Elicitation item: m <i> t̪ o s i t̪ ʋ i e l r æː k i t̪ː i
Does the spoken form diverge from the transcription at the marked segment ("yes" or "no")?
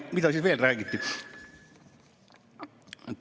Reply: no